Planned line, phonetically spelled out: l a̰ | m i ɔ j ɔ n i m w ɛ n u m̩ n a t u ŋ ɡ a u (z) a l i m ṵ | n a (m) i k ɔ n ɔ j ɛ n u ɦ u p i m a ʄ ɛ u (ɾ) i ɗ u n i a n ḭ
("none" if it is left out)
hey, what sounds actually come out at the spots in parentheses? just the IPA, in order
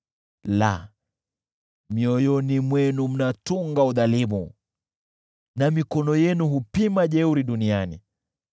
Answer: ð, m, ɾ

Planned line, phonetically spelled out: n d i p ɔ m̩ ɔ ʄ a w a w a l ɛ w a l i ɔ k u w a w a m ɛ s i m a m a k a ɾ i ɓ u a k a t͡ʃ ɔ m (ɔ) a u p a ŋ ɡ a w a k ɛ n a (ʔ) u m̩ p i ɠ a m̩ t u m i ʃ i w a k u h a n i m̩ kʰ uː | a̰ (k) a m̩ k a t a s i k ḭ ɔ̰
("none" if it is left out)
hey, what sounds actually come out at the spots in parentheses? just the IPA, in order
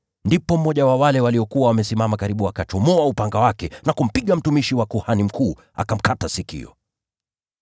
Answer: ɔ, k, k

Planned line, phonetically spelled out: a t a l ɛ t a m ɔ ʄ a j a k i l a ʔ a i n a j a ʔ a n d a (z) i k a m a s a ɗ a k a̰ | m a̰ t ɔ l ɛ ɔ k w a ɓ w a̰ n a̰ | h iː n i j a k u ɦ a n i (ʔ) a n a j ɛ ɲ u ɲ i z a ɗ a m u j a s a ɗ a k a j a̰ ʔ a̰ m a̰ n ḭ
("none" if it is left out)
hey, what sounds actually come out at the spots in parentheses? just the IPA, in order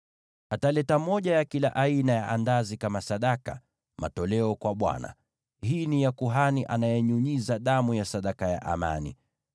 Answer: z, ʔ

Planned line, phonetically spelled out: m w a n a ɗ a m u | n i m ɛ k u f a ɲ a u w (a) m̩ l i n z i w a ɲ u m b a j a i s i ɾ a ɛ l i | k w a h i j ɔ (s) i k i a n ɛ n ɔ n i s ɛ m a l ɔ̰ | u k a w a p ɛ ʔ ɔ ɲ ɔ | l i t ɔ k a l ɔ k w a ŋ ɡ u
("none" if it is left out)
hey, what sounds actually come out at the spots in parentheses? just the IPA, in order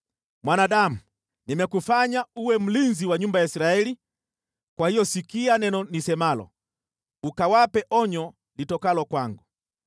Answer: ɛ, s

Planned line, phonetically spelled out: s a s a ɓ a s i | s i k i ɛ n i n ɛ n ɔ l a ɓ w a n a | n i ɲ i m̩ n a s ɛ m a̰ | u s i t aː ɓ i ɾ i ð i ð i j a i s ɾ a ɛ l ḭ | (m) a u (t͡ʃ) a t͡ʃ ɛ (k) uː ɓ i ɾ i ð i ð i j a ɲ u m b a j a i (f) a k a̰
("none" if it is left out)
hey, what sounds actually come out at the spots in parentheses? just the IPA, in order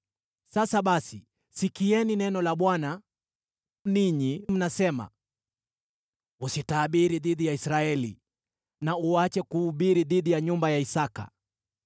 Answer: n, none, k, s

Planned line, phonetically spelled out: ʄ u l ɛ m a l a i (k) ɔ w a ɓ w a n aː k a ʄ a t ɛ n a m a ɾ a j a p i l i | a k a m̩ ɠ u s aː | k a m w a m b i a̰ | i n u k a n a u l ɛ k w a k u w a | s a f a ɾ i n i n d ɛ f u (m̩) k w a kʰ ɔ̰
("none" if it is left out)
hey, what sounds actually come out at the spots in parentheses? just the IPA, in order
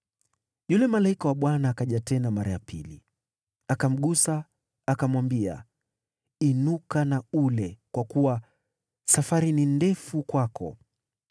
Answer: k, none

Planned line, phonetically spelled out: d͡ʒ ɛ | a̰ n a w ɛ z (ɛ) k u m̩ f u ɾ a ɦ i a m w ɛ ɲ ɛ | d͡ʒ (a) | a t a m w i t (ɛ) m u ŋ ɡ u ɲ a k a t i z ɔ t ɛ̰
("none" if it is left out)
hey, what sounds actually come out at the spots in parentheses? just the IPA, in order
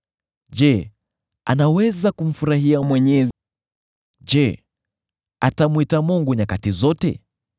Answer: a, ɛ, a

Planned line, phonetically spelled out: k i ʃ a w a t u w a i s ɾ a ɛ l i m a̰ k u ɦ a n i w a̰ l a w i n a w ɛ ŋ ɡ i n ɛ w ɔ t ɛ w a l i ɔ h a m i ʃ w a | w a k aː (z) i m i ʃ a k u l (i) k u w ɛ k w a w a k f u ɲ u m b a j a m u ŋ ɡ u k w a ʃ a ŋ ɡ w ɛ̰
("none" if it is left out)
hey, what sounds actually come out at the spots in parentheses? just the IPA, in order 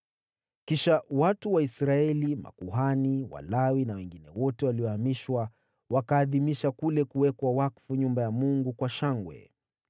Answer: ð, ɛ

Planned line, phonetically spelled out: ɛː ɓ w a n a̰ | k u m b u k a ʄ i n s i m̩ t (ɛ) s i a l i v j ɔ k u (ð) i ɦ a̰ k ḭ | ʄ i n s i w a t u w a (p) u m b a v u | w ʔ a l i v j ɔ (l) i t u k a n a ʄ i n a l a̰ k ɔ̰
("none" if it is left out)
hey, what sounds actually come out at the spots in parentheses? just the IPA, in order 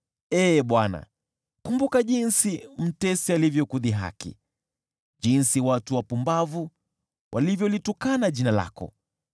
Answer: ɛ, ð, p, l

